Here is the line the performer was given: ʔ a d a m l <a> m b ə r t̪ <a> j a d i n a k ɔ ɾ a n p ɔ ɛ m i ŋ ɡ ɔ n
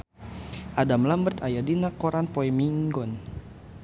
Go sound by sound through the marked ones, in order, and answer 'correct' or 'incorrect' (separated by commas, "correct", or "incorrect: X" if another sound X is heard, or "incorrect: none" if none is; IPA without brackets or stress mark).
correct, correct